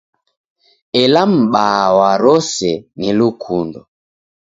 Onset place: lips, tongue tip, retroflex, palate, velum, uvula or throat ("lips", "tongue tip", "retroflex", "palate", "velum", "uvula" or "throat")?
tongue tip